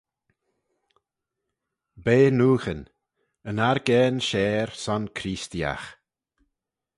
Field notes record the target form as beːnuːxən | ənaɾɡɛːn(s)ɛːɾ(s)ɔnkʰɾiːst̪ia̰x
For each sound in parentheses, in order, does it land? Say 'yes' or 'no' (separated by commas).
no, yes